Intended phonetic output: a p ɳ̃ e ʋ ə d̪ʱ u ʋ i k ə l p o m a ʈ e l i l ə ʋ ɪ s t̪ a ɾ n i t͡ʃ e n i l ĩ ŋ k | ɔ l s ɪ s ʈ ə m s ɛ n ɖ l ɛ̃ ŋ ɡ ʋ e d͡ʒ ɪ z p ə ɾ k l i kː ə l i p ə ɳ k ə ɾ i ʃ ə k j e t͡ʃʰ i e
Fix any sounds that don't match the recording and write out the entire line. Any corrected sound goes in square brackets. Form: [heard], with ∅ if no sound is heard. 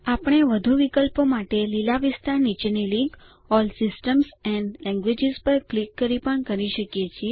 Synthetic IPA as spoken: a p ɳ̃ e ʋ ə d̪ʱ u ʋ i k ə l p o m a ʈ e l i l [a] ʋ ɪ s t̪ a ɾ n i t͡ʃ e n i l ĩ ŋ k | ɔ l s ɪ s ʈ ə m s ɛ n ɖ l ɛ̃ ŋ ɡ ʋ e d͡ʒ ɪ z p ə ɾ k l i kː ə [ɾ] i p ə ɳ k ə ɾ i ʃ ə k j e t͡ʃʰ i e